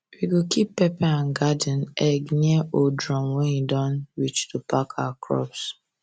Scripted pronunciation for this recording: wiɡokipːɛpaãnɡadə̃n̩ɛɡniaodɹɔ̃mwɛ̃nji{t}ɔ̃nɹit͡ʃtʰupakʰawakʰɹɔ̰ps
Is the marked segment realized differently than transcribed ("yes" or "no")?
yes